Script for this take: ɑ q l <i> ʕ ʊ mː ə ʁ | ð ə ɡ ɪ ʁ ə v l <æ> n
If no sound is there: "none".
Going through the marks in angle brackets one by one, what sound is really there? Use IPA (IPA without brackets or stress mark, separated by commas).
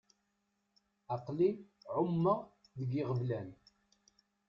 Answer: i, æ